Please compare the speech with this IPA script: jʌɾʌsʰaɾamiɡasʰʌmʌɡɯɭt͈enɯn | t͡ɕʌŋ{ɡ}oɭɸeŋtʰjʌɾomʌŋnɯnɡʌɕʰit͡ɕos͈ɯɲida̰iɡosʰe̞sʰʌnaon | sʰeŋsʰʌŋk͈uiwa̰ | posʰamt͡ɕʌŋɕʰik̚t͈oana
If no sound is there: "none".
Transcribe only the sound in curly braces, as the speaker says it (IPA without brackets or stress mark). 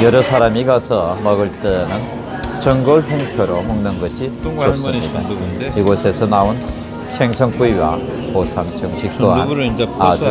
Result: ɡ